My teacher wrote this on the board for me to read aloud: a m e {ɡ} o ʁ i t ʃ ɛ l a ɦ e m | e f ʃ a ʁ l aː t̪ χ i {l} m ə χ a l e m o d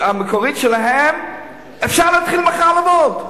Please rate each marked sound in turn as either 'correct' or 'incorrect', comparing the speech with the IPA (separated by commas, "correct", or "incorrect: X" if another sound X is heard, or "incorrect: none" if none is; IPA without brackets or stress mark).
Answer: incorrect: k, correct